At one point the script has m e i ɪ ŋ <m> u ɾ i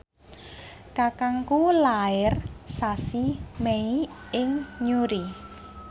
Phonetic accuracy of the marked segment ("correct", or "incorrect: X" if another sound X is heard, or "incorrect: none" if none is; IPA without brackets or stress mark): incorrect: ɲ